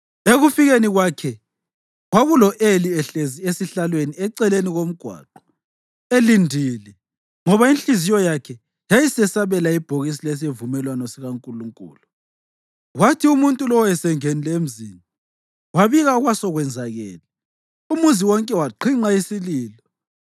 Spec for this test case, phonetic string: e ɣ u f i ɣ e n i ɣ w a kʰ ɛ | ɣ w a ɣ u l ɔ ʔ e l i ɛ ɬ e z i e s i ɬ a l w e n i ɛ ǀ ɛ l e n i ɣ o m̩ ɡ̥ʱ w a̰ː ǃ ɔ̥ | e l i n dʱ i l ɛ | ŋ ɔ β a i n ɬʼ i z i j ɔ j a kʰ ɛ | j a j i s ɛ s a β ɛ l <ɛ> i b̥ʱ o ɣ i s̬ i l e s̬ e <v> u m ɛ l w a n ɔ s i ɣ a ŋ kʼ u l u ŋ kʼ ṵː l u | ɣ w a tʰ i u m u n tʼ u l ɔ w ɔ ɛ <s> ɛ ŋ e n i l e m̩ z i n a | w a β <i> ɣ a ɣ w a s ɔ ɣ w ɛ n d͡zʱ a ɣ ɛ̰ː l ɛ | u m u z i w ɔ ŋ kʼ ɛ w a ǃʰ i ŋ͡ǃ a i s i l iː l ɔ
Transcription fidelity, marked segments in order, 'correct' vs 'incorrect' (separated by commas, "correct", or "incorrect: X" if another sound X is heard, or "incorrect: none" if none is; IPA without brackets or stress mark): incorrect: a, correct, correct, correct